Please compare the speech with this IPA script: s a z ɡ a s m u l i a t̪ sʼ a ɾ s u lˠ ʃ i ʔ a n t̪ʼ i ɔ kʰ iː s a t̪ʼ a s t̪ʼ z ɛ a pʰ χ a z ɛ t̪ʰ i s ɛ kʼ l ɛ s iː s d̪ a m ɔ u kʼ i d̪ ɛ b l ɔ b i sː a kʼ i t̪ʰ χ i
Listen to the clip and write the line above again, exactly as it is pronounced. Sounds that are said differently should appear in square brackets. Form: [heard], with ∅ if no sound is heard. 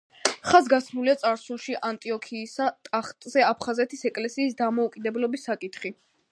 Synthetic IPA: [χ] a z ɡ a s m u l i a t̪ sʼ a ɾ s u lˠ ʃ i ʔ a n t̪ʼ i ɔ kʰ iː s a t̪ʼ a [χ] t̪ʼ z ɛ a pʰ χ a z ɛ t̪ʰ i s ɛ kʼ l ɛ s iː s d̪ a m ɔ u kʼ i d̪ ɛ b l ɔ b i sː a kʼ i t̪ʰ χ i

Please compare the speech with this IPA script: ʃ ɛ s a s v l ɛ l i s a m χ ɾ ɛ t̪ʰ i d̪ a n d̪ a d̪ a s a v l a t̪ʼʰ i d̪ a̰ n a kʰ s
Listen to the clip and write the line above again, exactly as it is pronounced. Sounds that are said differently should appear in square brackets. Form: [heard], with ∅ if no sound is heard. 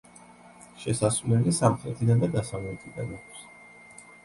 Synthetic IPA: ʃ ɛ s a s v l ɛ l i s a m χ ɾ ɛ t̪ʰ i d̪ a n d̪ a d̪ a s a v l [ɛ] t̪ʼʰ i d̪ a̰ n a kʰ s

